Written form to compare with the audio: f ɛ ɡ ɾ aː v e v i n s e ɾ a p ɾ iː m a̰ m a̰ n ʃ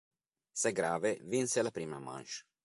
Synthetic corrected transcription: s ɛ ɡ ɾ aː v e v i n s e l a p ɾ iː m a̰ m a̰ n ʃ